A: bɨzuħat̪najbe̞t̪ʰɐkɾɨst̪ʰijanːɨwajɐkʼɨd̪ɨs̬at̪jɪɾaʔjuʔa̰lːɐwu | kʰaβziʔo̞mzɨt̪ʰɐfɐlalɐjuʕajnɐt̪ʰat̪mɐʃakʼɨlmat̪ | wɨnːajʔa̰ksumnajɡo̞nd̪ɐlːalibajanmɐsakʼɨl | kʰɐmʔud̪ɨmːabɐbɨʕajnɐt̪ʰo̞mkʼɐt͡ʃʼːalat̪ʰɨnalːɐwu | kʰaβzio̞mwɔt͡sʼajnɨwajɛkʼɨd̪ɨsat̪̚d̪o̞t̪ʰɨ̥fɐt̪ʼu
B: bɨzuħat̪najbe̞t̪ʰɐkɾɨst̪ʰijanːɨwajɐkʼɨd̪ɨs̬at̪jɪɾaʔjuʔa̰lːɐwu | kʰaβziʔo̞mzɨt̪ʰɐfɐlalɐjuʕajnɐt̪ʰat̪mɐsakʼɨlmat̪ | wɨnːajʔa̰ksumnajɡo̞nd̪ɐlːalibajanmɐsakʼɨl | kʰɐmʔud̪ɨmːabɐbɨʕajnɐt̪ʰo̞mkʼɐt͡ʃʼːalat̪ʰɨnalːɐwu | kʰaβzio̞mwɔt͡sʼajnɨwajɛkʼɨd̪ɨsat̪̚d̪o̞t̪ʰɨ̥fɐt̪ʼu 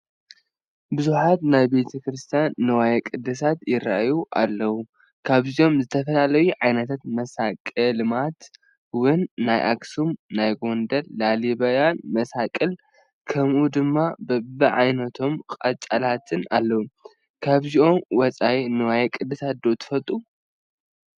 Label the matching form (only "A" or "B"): B